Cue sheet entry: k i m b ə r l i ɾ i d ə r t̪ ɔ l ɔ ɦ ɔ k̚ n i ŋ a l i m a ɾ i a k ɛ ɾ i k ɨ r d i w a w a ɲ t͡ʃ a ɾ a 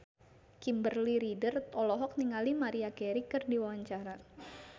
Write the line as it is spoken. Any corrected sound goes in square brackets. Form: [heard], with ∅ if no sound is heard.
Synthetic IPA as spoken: k i m b ə r l i ɾ i d ə r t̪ ɔ l ɔ ɦ ɔ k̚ n i ŋ a l i m a ɾ i a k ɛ ɾ i k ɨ r d i w a w a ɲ t͡ʃ a ɾ a